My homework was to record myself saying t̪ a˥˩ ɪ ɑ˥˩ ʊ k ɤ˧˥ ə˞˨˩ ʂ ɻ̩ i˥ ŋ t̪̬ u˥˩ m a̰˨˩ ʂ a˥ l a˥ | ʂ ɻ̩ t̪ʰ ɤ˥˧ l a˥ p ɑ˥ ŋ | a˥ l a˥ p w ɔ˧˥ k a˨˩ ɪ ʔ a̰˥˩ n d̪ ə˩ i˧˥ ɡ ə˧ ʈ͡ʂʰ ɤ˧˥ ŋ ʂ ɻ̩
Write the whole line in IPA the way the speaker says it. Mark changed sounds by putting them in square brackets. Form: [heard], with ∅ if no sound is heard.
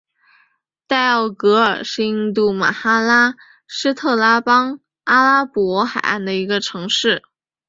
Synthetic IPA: t̪ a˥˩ ɪ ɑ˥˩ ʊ k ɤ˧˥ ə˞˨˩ ʂ ɻ̩ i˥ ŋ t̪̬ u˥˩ m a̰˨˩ [x] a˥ l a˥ | ʂ ɻ̩ t̪ʰ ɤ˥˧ l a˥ p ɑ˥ ŋ | a˥ l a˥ p w ɔ˧˥ [x] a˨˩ ɪ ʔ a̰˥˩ n d̪ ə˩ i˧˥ ɡ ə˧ ʈ͡ʂʰ ɤ˧˥ ŋ ʂ ɻ̩